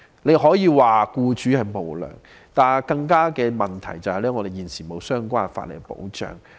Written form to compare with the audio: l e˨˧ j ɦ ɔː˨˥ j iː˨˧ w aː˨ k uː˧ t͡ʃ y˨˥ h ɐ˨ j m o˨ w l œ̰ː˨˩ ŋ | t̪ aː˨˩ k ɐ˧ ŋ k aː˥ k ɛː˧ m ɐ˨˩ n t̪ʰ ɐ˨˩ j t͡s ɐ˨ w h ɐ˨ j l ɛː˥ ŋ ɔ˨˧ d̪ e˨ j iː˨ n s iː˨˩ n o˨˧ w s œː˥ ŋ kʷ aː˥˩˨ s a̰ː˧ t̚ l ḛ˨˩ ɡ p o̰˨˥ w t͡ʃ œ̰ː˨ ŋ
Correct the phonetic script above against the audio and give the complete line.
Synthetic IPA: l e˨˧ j ɦ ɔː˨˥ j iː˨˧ w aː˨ k uː˧ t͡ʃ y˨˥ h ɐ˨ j m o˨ w l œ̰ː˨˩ ŋ | t̪ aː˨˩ k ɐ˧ ŋ k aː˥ k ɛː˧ m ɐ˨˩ n t̪ʰ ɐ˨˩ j t͡s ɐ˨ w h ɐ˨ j l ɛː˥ ŋ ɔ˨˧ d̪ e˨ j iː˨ n s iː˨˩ m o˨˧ w s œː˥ ŋ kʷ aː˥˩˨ f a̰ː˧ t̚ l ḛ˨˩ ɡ p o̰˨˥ w t͡ʃ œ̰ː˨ ŋ

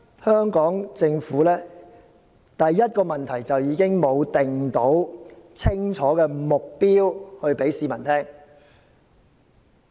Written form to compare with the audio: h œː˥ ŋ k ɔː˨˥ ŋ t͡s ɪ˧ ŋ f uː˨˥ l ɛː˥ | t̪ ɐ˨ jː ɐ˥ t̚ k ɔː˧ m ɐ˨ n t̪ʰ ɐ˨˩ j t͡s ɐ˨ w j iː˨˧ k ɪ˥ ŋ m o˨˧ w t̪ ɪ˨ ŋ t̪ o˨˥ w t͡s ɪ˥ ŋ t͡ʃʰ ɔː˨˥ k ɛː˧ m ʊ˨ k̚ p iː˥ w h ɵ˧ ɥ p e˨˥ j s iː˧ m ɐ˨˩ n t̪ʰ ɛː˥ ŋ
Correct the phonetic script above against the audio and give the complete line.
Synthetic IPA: h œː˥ ŋ k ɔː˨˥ ŋ t͡s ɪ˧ ŋ f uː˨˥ l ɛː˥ | t̪ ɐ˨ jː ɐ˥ t̚ k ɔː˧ m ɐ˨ n t̪ʰ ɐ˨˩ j t͡s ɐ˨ w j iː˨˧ k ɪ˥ ŋ m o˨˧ w t̪ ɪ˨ ŋ t̪ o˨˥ w t͡sʰ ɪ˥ ŋ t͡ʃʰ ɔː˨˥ k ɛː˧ m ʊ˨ k̚ p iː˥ w h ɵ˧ ɥ p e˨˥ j s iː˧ m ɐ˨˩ n t̪ʰ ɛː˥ ŋ

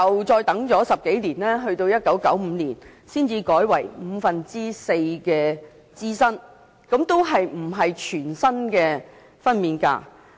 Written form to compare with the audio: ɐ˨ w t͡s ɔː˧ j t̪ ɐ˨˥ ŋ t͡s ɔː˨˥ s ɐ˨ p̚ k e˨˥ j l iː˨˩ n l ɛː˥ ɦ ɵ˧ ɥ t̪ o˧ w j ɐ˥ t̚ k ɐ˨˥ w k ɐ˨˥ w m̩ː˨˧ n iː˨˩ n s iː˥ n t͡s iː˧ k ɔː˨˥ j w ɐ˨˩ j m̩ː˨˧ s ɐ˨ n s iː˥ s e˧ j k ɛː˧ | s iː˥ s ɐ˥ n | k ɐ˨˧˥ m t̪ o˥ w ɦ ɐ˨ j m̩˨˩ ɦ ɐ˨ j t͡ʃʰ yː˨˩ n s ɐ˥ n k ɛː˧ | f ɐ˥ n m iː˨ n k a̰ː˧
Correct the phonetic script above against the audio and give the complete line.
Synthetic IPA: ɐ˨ w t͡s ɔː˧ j t̪ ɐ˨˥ ŋ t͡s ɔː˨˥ s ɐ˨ p̚ k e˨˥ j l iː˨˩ n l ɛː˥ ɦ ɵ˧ ɥ t̪ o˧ w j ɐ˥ t̚ k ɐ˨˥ w k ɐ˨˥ w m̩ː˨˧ n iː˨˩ n s iː˥ n t͡s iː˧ k ɔː˨˥ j w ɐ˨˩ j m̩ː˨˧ f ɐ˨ n t͡s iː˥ s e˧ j k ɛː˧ | t͡s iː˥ s ɐ˥ n | k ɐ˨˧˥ m t̪ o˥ w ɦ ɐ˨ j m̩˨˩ ɦ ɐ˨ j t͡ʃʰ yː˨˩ n s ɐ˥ n k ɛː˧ | f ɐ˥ n m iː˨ n k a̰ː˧

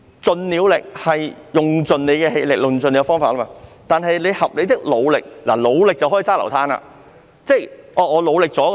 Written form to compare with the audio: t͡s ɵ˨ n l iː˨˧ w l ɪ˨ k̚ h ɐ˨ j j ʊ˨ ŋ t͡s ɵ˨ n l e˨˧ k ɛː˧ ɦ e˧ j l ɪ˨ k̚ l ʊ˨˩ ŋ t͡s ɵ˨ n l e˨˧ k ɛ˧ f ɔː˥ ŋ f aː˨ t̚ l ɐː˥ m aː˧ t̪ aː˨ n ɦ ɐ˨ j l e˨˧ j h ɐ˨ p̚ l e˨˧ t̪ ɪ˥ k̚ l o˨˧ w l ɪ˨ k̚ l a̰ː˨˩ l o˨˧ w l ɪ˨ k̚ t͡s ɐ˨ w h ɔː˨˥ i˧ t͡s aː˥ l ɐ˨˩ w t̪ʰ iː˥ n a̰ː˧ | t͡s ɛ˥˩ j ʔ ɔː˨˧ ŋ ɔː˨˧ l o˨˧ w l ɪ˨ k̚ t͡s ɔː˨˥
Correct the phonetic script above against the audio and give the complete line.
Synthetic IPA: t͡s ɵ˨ n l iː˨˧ w l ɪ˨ k̚ h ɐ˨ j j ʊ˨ ŋ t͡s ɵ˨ n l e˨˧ k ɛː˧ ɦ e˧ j l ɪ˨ k̚ l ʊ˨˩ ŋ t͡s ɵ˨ n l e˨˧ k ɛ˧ f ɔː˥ ŋ f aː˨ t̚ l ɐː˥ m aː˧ t̪ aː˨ n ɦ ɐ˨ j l e˨˧ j h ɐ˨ p̚ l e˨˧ t̪ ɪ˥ k̚ l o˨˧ w l ɪ˨ k̚ l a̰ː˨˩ l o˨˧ w l ɪ˨ k̚ t͡s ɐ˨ w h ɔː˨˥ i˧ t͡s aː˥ l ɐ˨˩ w t̪ʰ aː˥ n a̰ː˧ | t͡s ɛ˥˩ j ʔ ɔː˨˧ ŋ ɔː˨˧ l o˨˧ w l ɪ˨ k̚ t͡s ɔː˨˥

